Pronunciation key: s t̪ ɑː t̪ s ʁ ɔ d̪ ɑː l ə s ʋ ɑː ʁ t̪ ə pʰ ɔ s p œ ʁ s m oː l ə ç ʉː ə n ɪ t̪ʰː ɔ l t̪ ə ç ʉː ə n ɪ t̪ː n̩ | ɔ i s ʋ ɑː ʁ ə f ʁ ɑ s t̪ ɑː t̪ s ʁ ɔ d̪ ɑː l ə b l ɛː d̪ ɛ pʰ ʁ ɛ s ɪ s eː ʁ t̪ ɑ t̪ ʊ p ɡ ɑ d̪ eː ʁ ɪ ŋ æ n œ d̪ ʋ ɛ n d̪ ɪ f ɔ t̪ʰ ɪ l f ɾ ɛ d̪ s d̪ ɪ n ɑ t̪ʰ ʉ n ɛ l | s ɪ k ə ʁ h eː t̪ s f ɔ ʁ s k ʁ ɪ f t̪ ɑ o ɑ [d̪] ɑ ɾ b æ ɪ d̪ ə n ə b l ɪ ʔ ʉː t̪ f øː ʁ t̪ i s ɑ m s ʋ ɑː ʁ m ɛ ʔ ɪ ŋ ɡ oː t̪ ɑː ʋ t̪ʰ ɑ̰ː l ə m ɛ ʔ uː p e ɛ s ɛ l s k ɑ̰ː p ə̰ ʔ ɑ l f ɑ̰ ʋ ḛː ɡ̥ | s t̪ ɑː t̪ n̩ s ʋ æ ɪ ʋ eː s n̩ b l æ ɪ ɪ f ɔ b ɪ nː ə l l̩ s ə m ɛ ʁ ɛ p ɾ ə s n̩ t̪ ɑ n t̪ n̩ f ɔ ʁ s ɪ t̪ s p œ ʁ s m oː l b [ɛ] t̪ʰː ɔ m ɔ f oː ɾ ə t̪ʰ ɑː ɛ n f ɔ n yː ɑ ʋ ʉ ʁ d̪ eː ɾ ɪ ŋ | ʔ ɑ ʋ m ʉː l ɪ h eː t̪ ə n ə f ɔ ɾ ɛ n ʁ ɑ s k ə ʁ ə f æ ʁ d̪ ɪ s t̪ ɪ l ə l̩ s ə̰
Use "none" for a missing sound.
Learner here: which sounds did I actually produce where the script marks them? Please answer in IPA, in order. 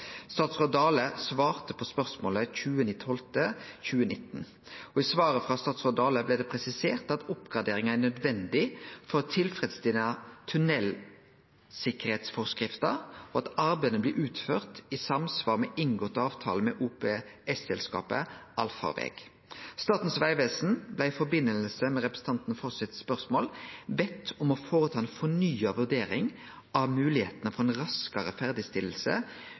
t̪, ɛ

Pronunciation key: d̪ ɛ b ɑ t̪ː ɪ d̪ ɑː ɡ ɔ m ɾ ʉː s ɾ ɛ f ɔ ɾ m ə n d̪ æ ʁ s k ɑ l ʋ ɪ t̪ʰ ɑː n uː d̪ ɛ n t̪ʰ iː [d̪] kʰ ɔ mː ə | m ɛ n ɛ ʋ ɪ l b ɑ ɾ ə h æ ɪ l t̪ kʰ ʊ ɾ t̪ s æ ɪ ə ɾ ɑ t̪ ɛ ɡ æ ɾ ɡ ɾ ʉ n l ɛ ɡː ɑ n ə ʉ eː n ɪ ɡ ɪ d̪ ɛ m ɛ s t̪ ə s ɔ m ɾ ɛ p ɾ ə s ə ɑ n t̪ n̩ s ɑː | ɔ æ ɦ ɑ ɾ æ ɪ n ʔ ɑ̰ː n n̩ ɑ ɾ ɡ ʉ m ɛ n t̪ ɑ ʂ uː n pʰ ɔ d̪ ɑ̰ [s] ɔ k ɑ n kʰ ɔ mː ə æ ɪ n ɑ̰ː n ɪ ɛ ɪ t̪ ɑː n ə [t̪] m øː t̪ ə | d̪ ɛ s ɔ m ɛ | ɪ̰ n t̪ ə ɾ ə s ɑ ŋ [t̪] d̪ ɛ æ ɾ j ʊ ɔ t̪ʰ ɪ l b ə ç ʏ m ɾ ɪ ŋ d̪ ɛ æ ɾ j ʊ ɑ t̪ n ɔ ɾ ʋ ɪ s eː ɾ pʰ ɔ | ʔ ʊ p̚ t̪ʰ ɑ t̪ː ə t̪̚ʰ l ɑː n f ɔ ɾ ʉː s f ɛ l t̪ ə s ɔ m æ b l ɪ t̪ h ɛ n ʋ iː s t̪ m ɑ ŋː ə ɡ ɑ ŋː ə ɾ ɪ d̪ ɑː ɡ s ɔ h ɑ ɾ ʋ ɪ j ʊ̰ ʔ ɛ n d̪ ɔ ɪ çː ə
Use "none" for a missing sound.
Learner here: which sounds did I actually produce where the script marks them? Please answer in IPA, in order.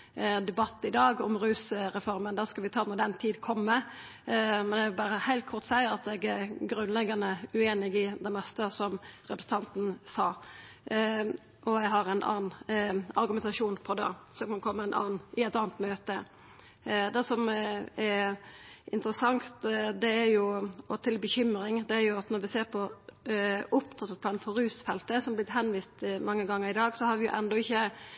d̪, s, t̪, t̪

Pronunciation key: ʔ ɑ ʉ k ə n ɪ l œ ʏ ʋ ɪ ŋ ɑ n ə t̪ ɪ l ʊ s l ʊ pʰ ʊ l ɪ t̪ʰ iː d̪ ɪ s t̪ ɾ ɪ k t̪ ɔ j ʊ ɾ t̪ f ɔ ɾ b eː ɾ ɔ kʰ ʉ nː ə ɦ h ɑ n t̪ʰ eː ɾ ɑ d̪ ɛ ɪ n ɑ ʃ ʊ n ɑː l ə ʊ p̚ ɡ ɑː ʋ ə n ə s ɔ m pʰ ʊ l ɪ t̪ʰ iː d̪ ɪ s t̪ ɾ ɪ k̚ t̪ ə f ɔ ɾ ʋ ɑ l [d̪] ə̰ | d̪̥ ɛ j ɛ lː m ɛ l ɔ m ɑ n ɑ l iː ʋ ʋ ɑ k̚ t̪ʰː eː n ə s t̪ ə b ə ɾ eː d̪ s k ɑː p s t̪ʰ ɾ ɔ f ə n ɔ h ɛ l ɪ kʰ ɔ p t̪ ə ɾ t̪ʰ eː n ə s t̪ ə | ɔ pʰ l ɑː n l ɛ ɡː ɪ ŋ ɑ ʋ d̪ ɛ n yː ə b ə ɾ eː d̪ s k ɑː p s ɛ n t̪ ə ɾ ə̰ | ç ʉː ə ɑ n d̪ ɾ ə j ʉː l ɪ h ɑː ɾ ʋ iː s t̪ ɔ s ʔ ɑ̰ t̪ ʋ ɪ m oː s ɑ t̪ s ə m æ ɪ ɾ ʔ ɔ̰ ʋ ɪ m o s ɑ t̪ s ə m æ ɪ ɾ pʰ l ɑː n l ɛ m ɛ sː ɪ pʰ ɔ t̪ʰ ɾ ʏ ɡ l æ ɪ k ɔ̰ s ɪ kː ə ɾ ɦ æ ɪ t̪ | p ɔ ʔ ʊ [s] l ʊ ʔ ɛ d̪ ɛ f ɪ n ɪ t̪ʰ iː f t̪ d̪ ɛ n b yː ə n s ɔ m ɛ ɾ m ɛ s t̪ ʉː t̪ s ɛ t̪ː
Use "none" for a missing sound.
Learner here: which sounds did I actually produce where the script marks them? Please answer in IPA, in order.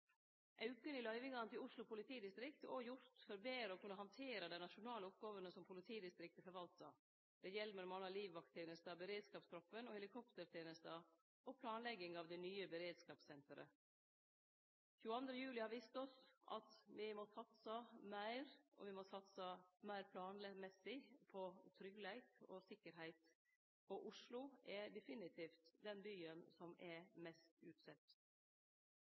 t̪, ʂ

